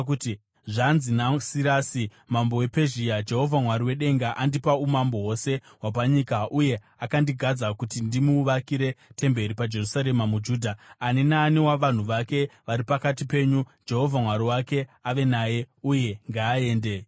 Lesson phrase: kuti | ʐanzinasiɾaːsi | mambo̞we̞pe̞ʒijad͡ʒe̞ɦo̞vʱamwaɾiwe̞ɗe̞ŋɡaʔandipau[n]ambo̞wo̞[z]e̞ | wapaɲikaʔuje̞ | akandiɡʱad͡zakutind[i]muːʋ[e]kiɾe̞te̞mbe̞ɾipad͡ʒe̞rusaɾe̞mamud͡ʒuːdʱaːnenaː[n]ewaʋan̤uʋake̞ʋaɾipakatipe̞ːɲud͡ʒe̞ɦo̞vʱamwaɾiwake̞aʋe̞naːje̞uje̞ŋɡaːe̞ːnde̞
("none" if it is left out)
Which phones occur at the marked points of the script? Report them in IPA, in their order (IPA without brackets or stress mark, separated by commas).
m, s, i, a, n